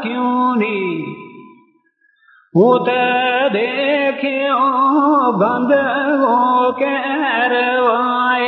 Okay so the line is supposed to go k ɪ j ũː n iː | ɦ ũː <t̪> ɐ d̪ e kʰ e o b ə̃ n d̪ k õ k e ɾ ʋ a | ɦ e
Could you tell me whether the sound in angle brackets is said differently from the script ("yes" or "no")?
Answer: no